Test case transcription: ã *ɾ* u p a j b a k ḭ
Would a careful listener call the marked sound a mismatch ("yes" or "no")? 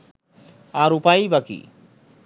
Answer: no